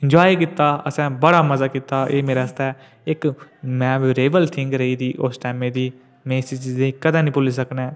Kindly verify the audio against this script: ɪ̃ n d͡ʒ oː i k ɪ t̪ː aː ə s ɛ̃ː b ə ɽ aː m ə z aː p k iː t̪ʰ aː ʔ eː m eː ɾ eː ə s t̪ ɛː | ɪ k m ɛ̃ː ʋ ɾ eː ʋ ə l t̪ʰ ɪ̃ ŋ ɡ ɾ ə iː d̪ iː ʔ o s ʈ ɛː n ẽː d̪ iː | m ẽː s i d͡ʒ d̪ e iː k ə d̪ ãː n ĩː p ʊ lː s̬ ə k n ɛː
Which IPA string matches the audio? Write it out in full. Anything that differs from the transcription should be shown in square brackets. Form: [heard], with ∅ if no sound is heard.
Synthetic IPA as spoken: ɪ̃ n d͡ʒ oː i k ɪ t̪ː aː ə s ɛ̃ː b ə ɽ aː m ə z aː [∅] k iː [t̪] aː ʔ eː m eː ɾ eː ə s t̪ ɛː | ɪ k m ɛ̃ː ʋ ɾ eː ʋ ə l t̪ʰ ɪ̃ ŋ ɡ ɾ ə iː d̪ iː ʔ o s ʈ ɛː [m] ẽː d̪ iː | m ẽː s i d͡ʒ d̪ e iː k ə d̪ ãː n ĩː p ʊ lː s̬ ə k n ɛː